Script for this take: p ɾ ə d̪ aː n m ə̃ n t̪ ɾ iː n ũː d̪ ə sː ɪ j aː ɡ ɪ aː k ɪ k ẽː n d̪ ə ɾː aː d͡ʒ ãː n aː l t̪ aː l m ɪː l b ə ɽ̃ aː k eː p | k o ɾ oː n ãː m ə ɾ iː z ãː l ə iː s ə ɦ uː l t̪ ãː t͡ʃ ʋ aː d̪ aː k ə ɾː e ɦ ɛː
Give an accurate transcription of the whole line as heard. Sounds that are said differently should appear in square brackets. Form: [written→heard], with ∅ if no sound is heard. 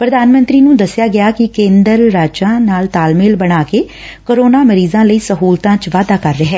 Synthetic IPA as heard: p ɾ ə d̪ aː n m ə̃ n t̪ ɾ iː n ũː d̪ ə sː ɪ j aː ɡ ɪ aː k ɪ k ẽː n d̪ ə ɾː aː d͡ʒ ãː n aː l t̪ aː l m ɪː l b ə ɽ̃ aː k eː [p→∅] | k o ɾ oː n [ãː→aː] m ə ɾ iː z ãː l ə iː s ə ɦ uː l t̪ ãː t͡ʃ ʋ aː d̪ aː k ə ɾː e ɦ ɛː